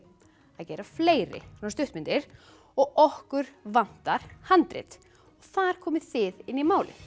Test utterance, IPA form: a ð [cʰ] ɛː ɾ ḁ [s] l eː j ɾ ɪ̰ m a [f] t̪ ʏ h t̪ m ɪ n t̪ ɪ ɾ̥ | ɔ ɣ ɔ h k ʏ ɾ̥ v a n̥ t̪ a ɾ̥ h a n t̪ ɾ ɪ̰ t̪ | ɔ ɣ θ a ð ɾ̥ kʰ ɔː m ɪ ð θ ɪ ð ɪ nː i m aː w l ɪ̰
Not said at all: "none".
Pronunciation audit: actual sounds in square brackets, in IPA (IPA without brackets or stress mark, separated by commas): c, f, s